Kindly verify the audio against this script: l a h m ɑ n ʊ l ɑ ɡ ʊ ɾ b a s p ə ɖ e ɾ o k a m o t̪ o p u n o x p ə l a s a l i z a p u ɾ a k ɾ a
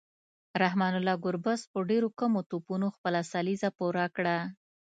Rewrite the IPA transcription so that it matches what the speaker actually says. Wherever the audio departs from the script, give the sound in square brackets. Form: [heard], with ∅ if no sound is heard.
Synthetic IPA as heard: [ɾ] a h m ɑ n ʊ l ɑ ɡ ʊ ɾ b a s p ə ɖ e ɾ o k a m o t̪ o p u n o x p ə l a s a l i z a p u ɾ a k [ɽ] a